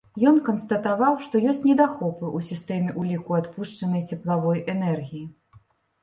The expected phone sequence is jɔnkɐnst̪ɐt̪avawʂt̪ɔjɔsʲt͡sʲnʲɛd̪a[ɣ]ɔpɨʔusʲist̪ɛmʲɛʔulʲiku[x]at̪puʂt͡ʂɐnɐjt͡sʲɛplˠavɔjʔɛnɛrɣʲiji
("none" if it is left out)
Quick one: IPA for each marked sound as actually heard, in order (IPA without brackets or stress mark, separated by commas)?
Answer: x, none